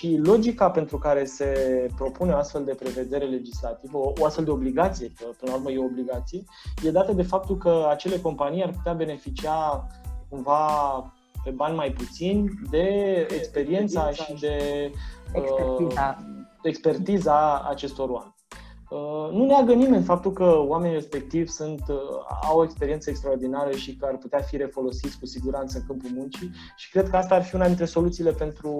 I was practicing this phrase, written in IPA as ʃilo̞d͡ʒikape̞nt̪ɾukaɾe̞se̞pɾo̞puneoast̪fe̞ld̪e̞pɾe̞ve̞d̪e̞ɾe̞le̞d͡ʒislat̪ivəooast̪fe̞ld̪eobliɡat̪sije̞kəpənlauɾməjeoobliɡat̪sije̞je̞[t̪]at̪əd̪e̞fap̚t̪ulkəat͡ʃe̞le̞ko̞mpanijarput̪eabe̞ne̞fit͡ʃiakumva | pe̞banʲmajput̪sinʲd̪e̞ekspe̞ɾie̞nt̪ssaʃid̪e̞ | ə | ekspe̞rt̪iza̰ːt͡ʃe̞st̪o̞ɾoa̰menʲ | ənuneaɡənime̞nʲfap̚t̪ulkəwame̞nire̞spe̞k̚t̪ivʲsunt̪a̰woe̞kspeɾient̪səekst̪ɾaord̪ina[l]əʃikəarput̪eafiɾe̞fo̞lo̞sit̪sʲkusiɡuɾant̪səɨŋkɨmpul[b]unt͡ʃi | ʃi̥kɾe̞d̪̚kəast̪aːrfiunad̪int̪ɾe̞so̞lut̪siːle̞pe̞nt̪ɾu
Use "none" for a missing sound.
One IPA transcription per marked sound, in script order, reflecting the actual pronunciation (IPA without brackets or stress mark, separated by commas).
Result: d̪, ɾ, m